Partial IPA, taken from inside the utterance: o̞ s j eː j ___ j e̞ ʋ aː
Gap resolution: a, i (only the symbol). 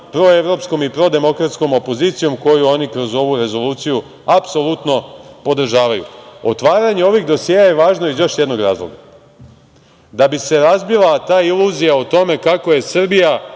a